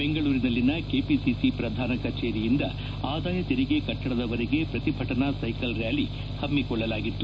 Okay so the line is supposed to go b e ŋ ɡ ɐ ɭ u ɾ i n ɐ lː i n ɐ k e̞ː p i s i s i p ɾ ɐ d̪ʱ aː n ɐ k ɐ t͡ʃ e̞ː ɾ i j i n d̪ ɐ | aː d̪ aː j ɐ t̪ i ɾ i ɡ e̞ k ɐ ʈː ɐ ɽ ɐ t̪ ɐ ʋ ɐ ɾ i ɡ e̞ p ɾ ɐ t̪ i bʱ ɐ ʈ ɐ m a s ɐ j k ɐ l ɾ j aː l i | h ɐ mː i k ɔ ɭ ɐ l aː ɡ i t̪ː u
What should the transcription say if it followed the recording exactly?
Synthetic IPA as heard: b e ŋ ɡ ɐ ɭ uː ɾ i n ɐ lː i n ɐ k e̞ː p i s i s i p ɾ ɐ d̪ʱ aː n ɐ k ɐ t͡ʃ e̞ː ɾ i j i n d̪ ɐ | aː d̪ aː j ɐ t̪ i ɾ i ɡ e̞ k ɐ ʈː ɐ ɽ ɐ d̪ ɐ ʋ ɐ ɾ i ɡ e̞ p ɾ ɐ t̪ i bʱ ɐ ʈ ɐ n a s ɐ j k ɐ l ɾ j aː l i | h ɐ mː i k ɔ ɭː ɐ l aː ɡ i t̪ː u